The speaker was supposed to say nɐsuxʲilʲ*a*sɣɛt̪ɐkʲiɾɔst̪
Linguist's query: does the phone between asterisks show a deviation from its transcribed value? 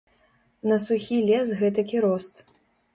yes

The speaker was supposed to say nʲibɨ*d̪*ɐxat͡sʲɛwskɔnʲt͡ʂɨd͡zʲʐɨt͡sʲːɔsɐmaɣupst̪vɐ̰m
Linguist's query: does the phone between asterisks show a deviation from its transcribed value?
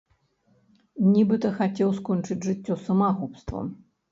yes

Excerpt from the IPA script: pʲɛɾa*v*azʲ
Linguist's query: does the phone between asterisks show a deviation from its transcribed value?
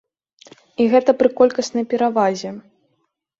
no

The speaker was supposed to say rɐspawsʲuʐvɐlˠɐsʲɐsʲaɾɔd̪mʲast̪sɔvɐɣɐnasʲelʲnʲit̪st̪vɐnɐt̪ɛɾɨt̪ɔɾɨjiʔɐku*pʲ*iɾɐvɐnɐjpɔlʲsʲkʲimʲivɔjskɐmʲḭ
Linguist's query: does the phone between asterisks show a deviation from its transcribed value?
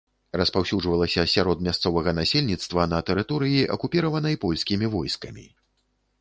no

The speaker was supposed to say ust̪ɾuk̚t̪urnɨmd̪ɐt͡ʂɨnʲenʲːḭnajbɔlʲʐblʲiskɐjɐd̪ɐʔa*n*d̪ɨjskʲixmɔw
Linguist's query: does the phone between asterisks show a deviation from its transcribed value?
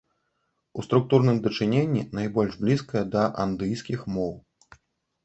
no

